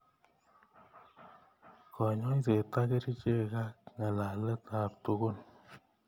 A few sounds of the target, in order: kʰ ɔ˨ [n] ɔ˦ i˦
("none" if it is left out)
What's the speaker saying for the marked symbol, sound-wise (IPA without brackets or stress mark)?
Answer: ɲ